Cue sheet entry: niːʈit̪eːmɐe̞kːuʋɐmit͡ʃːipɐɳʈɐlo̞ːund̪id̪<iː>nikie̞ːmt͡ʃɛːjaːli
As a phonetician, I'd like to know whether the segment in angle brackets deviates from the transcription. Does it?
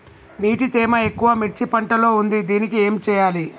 no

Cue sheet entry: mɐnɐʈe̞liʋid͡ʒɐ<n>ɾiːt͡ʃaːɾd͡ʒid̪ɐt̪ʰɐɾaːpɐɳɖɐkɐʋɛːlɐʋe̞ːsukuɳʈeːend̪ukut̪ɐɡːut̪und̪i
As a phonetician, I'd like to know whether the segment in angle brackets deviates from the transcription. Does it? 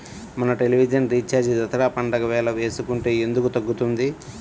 no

